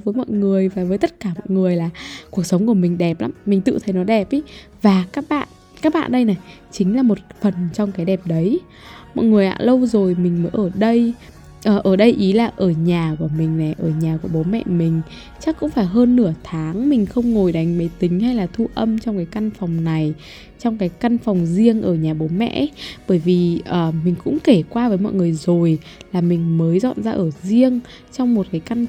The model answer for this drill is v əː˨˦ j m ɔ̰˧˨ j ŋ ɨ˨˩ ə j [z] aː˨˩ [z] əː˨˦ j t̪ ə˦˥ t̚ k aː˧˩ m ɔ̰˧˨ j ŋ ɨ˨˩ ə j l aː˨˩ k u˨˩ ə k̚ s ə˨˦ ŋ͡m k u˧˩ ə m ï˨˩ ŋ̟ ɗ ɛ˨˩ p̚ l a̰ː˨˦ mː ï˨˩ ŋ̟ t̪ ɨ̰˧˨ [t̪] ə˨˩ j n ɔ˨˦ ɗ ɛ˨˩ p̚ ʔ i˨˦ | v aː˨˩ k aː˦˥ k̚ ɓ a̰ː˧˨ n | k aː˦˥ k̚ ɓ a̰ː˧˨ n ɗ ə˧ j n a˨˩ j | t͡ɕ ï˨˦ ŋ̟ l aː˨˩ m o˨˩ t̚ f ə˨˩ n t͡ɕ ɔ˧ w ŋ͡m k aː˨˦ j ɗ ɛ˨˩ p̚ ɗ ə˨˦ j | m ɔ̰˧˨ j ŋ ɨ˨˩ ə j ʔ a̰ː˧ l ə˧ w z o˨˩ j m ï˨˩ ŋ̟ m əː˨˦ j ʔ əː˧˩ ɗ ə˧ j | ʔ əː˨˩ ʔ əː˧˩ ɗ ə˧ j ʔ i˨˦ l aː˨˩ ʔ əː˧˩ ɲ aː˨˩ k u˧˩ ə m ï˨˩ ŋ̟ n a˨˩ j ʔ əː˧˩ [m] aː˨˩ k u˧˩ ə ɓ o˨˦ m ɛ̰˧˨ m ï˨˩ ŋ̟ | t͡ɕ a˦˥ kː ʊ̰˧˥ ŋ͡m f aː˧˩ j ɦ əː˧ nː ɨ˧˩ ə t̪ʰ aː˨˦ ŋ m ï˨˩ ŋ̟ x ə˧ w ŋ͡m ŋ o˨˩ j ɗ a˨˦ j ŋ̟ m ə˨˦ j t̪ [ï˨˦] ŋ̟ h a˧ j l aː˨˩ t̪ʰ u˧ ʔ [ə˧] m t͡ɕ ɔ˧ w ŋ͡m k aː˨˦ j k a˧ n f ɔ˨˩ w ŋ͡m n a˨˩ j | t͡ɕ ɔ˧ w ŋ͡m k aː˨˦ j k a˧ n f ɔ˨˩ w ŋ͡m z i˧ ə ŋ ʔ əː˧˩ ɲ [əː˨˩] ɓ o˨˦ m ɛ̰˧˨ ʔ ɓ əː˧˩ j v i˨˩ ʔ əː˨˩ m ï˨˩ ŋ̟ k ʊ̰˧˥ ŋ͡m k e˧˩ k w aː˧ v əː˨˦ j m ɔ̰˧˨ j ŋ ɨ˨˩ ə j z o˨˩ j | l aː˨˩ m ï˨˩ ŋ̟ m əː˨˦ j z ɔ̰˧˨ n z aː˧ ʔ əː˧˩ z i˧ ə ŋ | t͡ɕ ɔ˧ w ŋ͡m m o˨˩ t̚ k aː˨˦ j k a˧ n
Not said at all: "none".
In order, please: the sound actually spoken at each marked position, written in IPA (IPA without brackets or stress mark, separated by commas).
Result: v, v, t̪ʰ, ɲ, ï˨˦, ə˧, aː˨˩